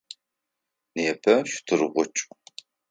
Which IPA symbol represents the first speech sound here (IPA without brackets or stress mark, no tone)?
n